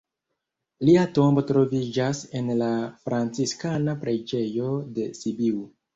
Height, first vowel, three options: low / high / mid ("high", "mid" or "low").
high